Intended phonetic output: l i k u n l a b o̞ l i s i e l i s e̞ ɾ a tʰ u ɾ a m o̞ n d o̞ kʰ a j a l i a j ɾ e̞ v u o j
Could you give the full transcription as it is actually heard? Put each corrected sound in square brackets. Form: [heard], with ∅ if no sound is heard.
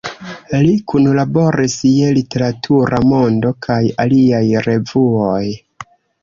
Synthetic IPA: l i k u n l a b o̞ [ɾ] i s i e l i [t] e̞ ɾ a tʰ u ɾ a m o̞ n d o̞ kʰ a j a l i a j ɾ e̞ v u o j